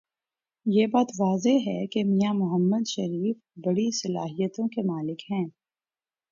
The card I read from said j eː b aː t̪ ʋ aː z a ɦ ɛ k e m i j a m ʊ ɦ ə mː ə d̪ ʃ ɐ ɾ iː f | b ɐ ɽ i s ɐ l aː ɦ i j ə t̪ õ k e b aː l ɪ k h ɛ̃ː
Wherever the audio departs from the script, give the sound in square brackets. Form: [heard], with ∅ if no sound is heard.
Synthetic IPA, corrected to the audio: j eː b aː t̪ ʋ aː z [e] ɦ ɛ k e m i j a m ʊ ɦ ə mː ə d̪ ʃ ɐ ɾ iː f | b ɐ ɽ i s ɐ l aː ɦ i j ə t̪ õ k e [m] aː l ɪ k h ɛ̃ː